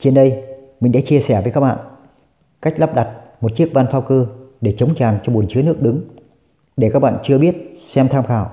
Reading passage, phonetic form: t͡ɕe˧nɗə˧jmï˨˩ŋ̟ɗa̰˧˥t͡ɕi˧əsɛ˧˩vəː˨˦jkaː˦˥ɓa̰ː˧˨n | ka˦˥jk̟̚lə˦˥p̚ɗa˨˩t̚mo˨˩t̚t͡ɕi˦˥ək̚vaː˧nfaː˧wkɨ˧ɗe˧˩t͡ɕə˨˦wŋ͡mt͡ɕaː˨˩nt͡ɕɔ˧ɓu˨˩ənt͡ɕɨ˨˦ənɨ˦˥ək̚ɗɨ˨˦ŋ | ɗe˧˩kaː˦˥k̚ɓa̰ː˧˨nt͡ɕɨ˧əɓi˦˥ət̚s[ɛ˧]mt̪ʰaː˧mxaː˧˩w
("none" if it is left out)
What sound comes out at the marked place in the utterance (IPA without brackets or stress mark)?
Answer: ɛ˧